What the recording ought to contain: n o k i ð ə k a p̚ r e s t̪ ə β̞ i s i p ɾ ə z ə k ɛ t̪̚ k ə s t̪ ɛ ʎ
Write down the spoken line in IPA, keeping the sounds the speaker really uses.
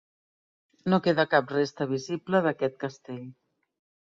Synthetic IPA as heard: n o k e ð ə k a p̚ r e s t̪ ə β̞ i z i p l ə ð ə k ɛ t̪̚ k ə s t̪ e ʎ

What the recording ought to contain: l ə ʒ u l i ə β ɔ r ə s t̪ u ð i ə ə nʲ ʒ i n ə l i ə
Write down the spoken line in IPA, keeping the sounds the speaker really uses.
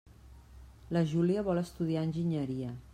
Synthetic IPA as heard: l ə ʒ u l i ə β ɔ l ə s t̪ u ð i a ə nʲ ʒ i ɲ ə ɾ i ə

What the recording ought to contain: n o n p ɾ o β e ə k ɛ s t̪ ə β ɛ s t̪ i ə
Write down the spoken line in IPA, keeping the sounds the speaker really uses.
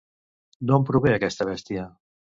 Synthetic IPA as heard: n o m p ɾ u β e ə k ɛ s t̪ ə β ɛ s t̪ i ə

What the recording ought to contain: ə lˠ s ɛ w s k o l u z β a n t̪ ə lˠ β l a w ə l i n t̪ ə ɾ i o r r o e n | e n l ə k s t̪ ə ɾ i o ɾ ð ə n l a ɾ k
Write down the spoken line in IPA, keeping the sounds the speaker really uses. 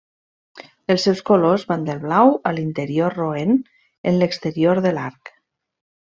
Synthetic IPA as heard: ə lˠ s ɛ w s k o l o z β a n d̪ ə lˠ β l a w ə l i n t̪ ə ɾ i o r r o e n | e n l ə k s t̪ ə ɾ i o ɾ ð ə l a ɾ k

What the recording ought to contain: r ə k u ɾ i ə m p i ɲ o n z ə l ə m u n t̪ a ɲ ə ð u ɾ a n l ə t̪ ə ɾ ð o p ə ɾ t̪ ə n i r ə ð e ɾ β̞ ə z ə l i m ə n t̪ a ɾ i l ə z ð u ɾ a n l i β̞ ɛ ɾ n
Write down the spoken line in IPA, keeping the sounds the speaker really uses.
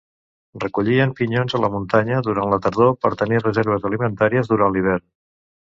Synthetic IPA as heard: r ə k u ʎ i ə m p i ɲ o n z ə l ə m u n t̪ a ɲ ə ð u ɾ a n l ə t̪ ə ɾ ð o p ə ɾ t̪ ə n i r ə z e ɾ β̞ ə z ə l i m ə n t̪ a ɾ i ə z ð u ɾ a n l i β̞ ɛ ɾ n

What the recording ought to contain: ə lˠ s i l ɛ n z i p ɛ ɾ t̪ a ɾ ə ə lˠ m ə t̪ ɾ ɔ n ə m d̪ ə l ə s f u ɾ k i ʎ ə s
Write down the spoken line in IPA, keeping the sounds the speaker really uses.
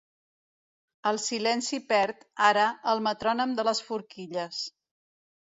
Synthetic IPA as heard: ə lˠ s i l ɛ n s i p ɛ ɾ t̪ a ɾ ə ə lˠ m ə t̪ ɾ ɔ n ə m d̪ ə l ə s f u ɾ k i ʎ ə s

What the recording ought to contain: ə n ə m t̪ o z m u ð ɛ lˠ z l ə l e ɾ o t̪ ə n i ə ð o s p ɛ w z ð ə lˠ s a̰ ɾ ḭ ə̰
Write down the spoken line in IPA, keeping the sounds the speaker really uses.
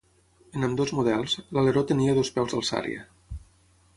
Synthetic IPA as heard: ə n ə m d̪ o z m u ð ɛ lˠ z l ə l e ɾ o t̪ ə n i ə ð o s p ɛ w z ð ə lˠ s a̰ ɾ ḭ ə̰

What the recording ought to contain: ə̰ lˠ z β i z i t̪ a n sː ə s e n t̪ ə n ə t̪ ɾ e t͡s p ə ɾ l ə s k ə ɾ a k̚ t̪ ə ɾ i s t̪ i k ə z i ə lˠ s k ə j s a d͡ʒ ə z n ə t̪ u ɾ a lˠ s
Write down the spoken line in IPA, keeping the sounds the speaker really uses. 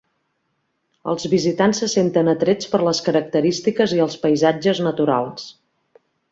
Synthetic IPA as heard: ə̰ lˠ z β i z i t̪ a n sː ə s e n t̪ ə n ə t̪ ɾ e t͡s p ə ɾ l ə s k ə ɾ ə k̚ t̪ ə ɾ i s t̪ i k ə z i ə lˠ s p ə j z a d͡ʒ ə z n ə t̪ u ɾ a lˠ s

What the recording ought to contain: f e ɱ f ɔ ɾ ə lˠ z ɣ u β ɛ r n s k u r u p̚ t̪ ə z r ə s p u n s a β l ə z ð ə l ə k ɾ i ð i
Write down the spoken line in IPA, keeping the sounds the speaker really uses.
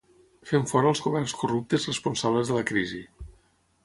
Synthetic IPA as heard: f e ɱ f ɔ ɾ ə lˠ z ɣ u β ɛ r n s k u r u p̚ t̪ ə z r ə s p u n s a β l ə z ð ə l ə k ɾ i z i

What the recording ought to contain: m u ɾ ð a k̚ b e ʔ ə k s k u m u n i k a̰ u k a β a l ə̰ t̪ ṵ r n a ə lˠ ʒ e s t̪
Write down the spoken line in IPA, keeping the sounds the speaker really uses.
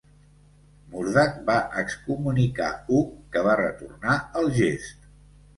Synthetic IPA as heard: m u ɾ ð a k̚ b a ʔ ə k s k u m u n i k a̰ u k ə β a r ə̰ t̪ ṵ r n a ə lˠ ʒ e s t̪

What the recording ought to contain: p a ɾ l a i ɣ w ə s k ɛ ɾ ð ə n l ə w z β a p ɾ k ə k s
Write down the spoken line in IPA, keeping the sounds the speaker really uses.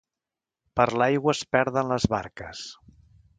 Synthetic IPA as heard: p ə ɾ l a j ɣ w ə s p ɛ ɾ ð ə n l ə z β a ɾ k ə s

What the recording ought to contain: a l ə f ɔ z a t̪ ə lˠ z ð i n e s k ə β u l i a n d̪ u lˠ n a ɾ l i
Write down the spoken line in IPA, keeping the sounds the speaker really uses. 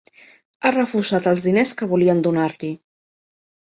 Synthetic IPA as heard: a r ə f u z a t̪ ə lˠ z ð i n e s k ə β u l i ə n d̪ u n a ɾ l i

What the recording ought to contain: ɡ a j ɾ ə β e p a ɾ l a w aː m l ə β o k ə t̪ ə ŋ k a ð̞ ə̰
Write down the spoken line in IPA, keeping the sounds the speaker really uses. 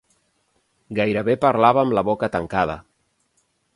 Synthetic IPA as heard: ɡ a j ɾ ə β e p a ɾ l a β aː m l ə β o k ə t̪ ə ŋ k a ð̞ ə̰

